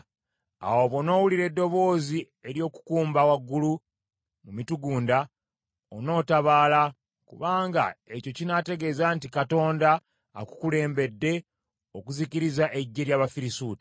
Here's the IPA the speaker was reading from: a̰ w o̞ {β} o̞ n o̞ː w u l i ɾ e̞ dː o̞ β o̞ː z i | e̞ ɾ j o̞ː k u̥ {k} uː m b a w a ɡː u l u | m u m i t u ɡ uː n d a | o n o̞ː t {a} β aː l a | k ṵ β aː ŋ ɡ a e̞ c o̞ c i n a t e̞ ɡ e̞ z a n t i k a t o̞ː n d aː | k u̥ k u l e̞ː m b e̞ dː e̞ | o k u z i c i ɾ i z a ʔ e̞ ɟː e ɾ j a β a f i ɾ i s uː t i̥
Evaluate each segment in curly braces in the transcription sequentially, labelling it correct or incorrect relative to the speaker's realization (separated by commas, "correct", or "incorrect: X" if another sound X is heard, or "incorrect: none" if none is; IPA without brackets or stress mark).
correct, correct, correct